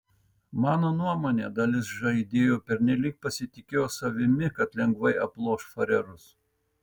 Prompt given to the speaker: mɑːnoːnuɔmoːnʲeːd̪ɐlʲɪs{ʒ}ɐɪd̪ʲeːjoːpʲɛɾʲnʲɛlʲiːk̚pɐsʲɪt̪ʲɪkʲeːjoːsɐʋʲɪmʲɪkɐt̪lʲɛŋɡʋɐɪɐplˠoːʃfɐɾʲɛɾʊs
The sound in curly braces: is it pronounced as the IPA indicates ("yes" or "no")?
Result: yes